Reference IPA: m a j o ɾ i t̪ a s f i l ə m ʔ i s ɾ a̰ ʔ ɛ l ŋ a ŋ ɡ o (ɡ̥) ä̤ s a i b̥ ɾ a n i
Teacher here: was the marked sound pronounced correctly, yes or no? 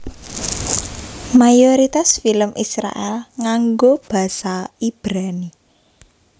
no